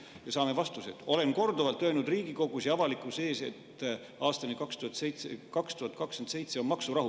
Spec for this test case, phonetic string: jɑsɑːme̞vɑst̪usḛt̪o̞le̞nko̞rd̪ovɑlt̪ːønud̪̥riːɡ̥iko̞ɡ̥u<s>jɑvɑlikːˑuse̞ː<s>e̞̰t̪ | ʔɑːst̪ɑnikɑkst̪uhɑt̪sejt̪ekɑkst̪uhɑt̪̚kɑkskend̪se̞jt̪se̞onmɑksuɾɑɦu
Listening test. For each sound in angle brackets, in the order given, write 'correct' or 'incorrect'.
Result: correct, correct

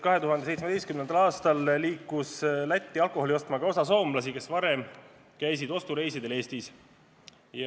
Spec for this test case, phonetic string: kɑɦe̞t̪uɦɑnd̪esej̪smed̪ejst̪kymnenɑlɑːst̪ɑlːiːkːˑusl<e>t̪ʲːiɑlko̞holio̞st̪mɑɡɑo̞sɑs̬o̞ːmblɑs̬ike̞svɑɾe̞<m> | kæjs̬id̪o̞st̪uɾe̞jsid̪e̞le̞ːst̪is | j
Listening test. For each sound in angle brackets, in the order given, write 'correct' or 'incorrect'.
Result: incorrect: æ, correct

